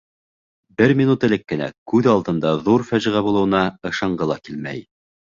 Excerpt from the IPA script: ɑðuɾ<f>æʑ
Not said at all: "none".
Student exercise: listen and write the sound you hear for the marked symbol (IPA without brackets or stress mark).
f